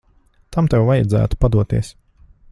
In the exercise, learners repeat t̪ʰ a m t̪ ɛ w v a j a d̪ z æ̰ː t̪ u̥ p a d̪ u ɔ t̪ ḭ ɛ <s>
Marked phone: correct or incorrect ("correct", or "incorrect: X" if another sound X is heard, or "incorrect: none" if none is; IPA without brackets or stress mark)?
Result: correct